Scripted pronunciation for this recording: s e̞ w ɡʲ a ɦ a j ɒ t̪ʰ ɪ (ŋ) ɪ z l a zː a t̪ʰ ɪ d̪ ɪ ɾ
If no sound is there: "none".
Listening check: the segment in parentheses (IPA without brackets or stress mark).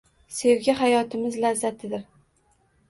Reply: m